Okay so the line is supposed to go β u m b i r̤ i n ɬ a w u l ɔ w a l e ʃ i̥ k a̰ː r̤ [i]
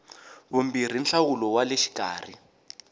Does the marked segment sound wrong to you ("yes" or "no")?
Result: no